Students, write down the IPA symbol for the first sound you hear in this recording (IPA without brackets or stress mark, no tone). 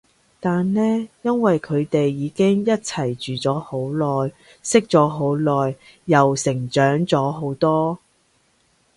t̪